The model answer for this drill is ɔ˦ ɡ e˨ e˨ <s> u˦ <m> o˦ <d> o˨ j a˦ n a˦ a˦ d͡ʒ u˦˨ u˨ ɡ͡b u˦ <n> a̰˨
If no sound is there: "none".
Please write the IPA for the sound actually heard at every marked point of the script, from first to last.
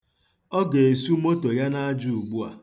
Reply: s, m, t, none

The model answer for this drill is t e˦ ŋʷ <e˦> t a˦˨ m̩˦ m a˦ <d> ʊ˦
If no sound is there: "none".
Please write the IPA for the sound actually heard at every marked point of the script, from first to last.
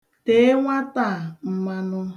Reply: a˦, n

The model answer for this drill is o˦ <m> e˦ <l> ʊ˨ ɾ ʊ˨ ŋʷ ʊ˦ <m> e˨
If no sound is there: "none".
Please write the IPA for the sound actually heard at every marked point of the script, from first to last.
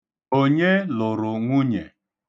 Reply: ɲ, l, ɲ

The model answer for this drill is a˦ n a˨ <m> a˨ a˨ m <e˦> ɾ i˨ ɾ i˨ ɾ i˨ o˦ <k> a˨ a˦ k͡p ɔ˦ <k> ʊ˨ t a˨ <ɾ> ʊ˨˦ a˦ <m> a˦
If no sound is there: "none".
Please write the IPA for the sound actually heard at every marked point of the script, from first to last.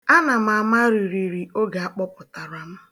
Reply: m, a˦, ɡ, p, ɾ, m

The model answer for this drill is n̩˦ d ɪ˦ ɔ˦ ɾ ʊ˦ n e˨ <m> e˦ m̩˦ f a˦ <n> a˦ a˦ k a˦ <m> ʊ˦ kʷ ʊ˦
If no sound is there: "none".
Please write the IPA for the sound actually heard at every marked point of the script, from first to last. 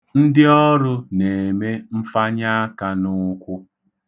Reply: m, ɲ, n

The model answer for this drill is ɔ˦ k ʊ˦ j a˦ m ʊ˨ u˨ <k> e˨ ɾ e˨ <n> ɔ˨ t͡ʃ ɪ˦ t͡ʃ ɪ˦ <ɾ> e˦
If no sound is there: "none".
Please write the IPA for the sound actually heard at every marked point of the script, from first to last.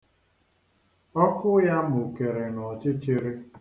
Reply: k, n, ɾ

